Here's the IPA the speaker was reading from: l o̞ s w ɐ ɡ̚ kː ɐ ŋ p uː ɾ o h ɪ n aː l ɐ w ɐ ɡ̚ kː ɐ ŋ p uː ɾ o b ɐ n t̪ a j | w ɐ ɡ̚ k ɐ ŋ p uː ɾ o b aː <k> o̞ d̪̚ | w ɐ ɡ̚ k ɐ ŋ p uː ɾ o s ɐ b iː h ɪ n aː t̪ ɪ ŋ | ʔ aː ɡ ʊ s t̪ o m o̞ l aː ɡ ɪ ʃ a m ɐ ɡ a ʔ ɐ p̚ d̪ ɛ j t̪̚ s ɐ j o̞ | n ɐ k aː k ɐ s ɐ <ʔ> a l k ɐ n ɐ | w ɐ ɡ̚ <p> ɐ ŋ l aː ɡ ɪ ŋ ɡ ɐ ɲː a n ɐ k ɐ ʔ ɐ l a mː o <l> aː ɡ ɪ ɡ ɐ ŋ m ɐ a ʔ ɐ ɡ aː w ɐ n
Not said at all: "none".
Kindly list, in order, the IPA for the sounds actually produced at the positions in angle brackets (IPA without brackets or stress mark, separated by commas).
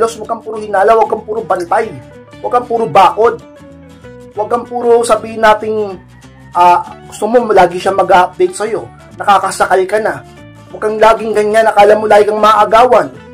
k, k, k, l